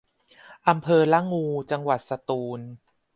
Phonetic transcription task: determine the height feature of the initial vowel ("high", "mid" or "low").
low